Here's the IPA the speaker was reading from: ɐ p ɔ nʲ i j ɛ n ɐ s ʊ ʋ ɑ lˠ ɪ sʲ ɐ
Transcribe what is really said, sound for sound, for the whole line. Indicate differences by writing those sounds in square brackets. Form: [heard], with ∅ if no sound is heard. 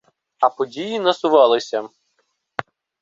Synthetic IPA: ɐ p ɔ [dʲ] i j [i] n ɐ s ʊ ʋ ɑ lˠ ɪ sʲ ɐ